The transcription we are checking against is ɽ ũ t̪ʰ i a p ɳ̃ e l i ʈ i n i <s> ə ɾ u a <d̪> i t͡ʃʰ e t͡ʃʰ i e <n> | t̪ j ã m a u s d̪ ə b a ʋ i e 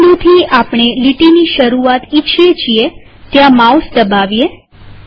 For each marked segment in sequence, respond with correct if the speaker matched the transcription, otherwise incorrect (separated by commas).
incorrect, incorrect, incorrect